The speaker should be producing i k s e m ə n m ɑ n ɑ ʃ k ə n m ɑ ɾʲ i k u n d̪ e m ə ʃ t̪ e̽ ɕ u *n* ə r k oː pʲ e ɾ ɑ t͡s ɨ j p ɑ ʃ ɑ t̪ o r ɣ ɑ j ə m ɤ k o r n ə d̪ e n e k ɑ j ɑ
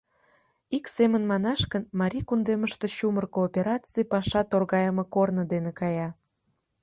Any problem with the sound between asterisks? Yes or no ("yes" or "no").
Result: yes